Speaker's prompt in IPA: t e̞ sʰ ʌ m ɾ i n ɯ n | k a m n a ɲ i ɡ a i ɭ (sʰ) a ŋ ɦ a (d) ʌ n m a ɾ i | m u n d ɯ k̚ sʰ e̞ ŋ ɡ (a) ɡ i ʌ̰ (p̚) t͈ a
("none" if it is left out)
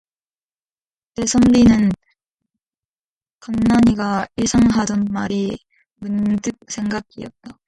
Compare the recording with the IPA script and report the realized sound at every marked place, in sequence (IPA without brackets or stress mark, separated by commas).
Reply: sʰ, d, a, t̚